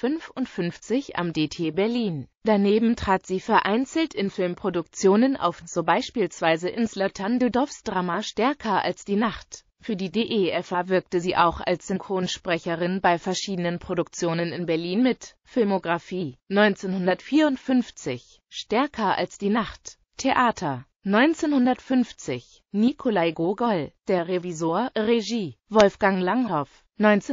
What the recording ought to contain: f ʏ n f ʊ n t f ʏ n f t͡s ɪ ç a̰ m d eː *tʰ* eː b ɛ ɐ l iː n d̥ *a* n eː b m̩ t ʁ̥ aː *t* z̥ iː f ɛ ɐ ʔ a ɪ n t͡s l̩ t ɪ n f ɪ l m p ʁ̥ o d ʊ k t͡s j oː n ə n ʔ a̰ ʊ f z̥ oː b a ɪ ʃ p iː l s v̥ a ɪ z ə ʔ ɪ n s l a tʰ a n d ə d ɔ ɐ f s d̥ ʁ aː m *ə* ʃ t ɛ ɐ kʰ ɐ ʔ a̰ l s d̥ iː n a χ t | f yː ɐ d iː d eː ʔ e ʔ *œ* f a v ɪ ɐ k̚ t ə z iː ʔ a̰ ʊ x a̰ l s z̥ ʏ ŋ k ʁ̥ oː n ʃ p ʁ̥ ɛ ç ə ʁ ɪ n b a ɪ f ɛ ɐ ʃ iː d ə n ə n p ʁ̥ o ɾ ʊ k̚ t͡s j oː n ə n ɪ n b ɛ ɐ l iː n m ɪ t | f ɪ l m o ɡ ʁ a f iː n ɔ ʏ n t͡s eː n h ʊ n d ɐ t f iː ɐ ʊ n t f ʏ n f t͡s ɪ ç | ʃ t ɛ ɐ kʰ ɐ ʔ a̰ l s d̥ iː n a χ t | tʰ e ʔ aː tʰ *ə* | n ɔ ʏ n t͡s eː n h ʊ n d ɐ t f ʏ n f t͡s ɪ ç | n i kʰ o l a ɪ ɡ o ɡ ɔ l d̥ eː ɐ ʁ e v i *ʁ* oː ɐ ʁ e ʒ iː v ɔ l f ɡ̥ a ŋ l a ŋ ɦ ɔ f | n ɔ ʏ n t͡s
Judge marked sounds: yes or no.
yes, yes, yes, no, no, no, no

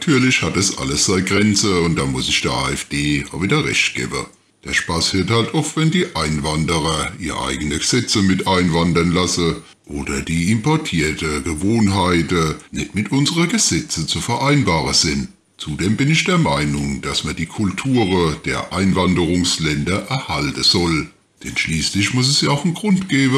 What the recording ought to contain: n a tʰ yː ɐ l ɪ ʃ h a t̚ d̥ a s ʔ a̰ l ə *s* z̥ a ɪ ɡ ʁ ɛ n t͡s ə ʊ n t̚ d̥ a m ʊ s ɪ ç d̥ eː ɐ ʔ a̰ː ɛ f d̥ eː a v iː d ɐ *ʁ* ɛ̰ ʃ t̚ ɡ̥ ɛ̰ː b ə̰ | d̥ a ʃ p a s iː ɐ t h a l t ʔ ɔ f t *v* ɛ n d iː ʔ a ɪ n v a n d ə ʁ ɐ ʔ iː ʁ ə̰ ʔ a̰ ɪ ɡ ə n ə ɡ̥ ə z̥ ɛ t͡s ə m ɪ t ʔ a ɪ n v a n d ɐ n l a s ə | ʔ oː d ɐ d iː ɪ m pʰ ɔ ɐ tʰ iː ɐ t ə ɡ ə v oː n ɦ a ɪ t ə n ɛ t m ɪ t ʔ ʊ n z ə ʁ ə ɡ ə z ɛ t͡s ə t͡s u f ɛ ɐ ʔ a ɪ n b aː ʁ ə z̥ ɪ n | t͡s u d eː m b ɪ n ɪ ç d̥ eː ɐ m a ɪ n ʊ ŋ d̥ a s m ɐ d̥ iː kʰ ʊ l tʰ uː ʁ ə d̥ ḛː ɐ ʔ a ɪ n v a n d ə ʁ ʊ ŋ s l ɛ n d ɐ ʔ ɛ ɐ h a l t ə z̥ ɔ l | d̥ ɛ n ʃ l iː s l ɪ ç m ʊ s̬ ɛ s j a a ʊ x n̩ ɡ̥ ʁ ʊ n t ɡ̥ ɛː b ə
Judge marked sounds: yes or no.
yes, yes, yes

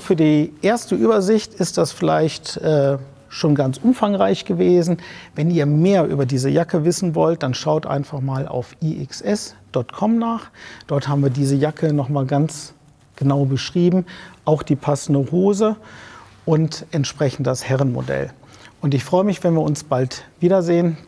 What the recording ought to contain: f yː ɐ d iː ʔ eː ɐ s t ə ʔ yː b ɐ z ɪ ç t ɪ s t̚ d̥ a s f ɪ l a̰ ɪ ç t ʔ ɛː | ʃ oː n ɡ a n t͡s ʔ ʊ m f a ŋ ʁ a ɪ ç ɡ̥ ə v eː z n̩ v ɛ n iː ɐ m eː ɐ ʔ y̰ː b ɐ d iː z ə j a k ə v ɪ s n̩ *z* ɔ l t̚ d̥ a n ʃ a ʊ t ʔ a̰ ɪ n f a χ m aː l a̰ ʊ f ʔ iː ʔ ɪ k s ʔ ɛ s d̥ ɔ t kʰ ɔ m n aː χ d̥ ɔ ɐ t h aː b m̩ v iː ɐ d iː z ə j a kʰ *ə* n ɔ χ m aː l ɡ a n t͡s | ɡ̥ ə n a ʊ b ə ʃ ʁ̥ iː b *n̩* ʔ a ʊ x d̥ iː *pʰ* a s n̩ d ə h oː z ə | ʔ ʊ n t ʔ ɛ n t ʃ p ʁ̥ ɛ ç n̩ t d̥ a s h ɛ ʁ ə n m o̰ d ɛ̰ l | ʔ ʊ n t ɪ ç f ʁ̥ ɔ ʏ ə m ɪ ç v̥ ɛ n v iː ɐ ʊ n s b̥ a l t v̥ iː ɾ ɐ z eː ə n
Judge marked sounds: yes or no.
no, yes, no, yes

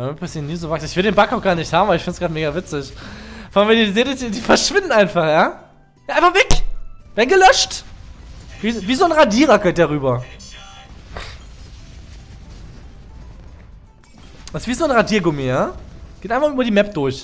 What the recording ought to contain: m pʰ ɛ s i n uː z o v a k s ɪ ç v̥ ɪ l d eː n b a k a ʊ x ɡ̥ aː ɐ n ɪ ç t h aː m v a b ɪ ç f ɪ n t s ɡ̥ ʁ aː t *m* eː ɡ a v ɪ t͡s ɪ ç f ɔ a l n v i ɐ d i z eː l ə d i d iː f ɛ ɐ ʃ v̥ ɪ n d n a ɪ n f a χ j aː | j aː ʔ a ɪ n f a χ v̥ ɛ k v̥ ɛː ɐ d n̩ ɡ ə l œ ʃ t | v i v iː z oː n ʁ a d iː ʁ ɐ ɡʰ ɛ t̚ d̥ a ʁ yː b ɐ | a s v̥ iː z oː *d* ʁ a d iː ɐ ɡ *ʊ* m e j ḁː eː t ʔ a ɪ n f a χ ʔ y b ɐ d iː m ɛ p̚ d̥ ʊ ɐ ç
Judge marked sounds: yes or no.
yes, no, yes

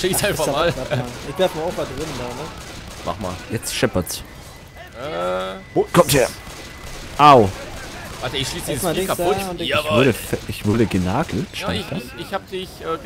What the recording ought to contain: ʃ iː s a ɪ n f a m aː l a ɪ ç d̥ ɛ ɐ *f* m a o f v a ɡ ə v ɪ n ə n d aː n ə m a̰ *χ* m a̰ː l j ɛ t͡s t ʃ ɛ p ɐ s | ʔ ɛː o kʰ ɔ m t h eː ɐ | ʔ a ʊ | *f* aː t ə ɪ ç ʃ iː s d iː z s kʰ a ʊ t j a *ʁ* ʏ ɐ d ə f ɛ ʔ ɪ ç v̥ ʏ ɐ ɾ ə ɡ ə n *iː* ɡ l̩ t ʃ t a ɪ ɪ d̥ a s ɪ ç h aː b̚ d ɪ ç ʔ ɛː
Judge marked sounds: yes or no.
yes, yes, no, no, no

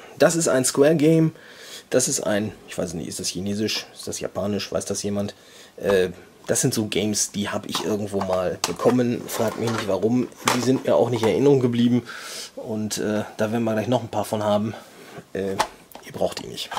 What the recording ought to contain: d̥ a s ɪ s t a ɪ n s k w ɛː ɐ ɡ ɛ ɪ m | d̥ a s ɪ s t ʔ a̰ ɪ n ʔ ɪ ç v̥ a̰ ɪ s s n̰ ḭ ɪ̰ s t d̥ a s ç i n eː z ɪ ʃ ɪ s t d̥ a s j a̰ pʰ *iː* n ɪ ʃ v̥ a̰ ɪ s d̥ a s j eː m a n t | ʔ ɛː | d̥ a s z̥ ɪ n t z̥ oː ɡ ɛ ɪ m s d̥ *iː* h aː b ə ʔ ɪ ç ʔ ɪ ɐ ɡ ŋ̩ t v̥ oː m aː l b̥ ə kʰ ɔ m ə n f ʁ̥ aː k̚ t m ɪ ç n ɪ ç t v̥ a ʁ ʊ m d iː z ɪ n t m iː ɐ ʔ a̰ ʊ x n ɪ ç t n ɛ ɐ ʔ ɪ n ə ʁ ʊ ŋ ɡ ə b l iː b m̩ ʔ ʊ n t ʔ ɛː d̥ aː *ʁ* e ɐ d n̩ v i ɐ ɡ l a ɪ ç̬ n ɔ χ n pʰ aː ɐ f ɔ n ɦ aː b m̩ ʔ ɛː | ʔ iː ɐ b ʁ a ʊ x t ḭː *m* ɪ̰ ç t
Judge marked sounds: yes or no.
no, yes, no, no

